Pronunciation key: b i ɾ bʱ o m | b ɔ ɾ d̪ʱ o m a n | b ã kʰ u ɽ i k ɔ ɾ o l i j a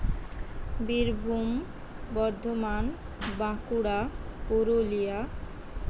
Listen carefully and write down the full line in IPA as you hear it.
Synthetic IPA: b i ɾ bʱ u m | b ɔ ɾ d̪ʱ o m a n | b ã k u ɽ a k o ɾ o l i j a